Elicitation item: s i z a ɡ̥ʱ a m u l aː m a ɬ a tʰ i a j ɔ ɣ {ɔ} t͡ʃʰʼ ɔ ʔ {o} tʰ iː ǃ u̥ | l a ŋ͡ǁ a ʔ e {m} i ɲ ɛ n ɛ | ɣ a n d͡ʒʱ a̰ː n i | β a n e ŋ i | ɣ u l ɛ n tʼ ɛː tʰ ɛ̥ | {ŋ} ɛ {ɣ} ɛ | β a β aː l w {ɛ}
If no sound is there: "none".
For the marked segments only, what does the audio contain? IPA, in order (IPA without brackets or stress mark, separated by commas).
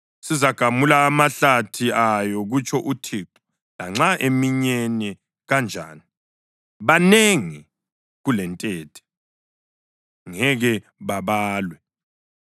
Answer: u, u, m, ŋ, ɣ, ɛ